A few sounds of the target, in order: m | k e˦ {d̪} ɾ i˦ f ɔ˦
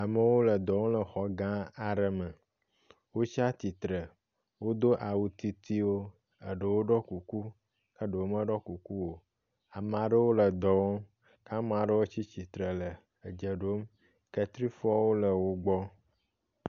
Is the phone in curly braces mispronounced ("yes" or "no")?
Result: yes